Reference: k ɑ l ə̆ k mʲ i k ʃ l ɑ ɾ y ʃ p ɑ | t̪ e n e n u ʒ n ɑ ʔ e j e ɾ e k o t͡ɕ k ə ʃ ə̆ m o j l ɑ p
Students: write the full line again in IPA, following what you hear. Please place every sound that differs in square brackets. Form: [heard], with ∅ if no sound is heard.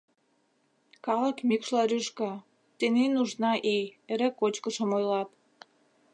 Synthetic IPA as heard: k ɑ l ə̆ k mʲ i k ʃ l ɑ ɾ y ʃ [k] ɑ | t̪ e n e n u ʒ n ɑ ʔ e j e ɾ e k o t͡ɕ k ə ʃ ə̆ m o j l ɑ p

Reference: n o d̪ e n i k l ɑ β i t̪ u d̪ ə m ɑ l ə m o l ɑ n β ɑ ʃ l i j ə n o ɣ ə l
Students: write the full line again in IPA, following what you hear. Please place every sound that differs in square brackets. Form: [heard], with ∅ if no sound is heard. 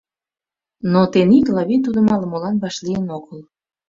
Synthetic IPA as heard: n o [t̪] e n i k l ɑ β i t̪ u d̪ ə m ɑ l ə m o l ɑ n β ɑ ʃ l i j ə n o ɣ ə l

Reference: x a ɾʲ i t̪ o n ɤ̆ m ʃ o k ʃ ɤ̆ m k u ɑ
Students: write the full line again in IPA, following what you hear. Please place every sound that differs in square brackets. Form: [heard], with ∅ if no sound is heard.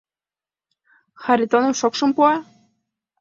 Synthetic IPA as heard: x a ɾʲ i t̪ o n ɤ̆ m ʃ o k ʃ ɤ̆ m [p] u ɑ

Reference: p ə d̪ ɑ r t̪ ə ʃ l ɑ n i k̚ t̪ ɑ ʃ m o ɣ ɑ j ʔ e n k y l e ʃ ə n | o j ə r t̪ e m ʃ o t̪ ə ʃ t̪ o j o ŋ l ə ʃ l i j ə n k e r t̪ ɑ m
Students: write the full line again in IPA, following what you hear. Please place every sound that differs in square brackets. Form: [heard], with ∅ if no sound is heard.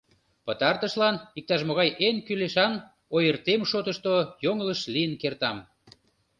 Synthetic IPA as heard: p ə [t̪] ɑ r t̪ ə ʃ l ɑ n i k̚ t̪ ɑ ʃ m o ɣ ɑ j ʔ e n k y l e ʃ [ɑ] n | o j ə r t̪ e m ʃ o t̪ ə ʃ t̪ o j o ŋ l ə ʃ l i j ə n k e r t̪ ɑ m

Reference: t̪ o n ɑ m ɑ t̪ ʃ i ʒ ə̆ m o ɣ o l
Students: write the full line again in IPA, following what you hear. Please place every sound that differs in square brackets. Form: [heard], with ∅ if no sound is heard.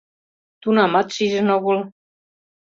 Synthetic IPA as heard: t̪ [u] n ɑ m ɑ t̪ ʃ i ʒ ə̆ [n] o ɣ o l

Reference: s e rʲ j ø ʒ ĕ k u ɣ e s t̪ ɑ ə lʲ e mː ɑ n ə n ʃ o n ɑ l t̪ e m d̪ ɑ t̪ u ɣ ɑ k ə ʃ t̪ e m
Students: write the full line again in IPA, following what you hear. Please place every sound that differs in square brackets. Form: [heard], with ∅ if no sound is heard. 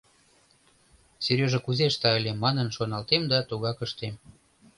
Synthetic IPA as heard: s e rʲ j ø ʒ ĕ k u [z] e [ʃ] t̪ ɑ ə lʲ e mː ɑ n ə n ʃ o n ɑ l t̪ e m d̪ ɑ t̪ u ɣ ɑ k ə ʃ t̪ e m

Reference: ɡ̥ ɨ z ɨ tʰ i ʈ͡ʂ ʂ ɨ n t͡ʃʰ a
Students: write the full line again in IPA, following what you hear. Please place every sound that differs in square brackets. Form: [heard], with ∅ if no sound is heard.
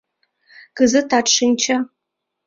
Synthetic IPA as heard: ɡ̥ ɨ z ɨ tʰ [a] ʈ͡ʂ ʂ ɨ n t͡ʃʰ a

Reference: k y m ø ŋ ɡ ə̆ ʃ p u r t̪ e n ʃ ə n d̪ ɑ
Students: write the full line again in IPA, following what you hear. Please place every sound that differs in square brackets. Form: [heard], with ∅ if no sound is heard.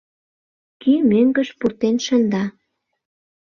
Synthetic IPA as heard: k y m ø ŋ ɡ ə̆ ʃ p u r t̪ e n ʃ ə n d̪ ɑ

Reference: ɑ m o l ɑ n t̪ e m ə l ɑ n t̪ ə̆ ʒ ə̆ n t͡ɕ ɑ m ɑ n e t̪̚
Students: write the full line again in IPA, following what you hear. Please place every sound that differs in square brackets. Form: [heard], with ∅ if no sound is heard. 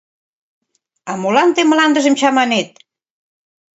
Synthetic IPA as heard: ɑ m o l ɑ n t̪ e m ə l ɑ n [d̪] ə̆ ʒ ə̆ [m] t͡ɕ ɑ m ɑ n e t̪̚

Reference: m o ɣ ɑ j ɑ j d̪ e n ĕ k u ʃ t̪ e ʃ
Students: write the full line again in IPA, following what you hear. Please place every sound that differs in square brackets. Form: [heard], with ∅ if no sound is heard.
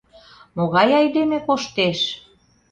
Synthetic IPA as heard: m o ɣ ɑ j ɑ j d̪ e [m] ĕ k [o] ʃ t̪ e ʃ

